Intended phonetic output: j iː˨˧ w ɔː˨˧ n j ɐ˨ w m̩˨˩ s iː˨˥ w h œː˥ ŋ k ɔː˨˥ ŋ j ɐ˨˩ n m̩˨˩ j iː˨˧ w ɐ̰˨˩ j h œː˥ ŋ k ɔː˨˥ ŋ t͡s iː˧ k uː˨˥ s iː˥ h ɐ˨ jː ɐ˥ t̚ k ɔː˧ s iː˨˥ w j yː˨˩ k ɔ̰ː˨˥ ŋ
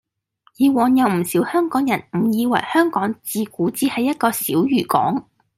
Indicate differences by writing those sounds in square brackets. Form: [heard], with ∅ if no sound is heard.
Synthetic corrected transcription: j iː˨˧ w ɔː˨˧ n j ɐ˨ w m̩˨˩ s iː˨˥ w h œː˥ ŋ k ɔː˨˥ ŋ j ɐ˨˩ n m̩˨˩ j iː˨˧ w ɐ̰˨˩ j h œː˥ ŋ k ɔː˨˥ ŋ t͡s iː˧ k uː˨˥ [t͡s] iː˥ h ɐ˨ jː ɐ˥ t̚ k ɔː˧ s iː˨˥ w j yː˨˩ k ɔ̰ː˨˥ ŋ